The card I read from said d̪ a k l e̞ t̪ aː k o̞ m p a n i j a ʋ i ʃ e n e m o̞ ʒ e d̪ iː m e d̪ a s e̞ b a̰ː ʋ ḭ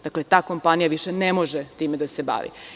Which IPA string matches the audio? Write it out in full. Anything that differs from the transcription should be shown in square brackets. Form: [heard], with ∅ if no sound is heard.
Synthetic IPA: d̪ a k l e̞ t̪ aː k o̞ m p a n i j a ʋ i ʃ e n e m o̞ ʒ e [t̪] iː m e d̪ a s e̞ b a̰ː ʋ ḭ